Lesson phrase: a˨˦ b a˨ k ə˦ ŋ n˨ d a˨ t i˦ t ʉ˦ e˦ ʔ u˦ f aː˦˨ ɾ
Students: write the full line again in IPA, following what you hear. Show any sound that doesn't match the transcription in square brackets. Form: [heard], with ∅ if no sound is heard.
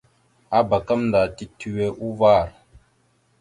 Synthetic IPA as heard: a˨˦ b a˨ k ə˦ [m] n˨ d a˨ t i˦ t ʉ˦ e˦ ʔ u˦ [v] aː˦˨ ɾ